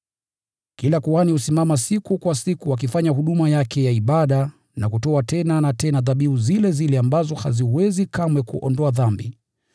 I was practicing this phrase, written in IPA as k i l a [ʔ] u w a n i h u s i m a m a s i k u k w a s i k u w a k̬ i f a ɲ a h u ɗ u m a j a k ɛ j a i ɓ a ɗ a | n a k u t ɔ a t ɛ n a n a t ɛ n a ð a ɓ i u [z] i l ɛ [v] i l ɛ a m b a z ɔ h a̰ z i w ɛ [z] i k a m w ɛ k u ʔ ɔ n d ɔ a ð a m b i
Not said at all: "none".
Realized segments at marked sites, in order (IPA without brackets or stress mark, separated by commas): k, z, z, z